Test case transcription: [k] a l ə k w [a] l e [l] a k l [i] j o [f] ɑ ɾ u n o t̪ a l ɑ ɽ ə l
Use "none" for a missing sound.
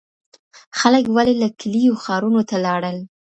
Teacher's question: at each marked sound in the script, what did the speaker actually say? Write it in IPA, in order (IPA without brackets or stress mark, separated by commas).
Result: x, a, l, i, x